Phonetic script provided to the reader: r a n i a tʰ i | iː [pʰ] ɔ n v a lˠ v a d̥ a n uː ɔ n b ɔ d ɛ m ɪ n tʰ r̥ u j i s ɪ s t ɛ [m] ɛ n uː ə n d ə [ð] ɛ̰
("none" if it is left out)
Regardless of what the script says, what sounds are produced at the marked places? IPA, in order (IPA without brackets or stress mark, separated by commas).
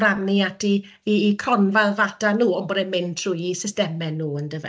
kʰ, m, v